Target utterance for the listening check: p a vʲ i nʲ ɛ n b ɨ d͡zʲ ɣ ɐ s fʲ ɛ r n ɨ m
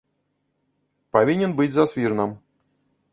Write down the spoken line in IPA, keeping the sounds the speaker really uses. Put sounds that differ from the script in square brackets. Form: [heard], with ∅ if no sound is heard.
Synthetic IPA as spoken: p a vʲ i nʲ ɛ n b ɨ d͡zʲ [z] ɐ s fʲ [i] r n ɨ m